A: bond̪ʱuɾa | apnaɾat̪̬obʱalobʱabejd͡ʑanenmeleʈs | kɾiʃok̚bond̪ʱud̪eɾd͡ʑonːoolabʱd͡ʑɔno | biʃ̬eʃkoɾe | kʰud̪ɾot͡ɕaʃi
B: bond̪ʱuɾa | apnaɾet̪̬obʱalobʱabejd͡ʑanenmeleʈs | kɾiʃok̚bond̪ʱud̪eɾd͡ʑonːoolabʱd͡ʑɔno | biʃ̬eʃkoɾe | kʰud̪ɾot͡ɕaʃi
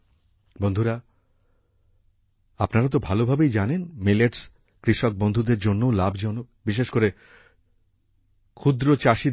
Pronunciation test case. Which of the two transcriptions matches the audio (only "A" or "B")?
A